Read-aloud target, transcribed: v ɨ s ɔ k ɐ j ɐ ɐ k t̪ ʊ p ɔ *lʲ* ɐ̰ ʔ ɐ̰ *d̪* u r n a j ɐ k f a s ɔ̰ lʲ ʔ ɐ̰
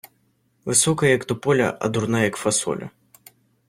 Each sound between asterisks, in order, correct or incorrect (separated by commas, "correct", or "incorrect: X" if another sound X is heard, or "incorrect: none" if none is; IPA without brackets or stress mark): correct, correct